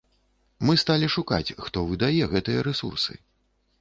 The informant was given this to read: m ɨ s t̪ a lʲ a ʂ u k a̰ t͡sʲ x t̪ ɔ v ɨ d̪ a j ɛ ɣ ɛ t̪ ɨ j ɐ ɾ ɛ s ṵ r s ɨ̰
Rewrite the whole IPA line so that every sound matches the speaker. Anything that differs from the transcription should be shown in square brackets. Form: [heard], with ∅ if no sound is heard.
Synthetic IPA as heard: m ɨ s t̪ a lʲ [i] ʂ u k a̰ t͡sʲ x t̪ ɔ v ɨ d̪ a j ɛ ɣ ɛ t̪ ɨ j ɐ ɾ ɛ s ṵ r s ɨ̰